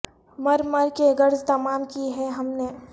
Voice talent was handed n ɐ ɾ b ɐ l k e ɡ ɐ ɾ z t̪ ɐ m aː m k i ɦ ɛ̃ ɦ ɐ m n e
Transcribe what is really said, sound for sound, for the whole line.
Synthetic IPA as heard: m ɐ ɾ m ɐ ɾ k e ɡ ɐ ɾ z t̪ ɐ m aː m k i ɦ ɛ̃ ɦ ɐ m n e